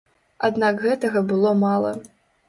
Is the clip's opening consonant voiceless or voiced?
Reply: voiced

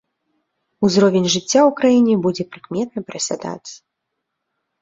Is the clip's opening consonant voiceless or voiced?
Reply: voiced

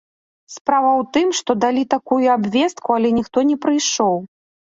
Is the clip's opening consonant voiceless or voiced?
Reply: voiceless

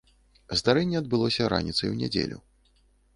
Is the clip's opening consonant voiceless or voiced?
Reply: voiced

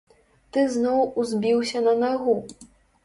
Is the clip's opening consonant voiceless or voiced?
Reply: voiceless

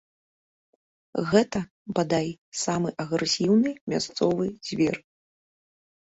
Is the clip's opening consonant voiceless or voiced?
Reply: voiced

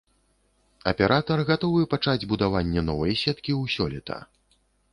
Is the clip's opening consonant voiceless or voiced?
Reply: voiceless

